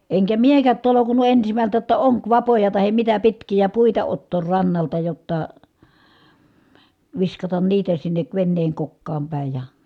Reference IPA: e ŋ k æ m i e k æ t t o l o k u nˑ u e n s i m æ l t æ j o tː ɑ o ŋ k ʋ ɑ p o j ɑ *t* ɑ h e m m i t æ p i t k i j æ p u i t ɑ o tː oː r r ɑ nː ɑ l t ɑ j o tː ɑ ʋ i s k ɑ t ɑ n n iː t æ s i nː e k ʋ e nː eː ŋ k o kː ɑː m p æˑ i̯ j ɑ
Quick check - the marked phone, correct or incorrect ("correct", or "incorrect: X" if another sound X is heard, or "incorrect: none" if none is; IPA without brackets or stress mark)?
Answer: correct